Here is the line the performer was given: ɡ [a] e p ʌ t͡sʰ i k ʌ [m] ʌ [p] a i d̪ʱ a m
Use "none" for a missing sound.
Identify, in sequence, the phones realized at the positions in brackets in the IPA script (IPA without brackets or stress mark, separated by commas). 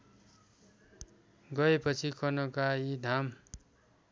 ʌ, n, k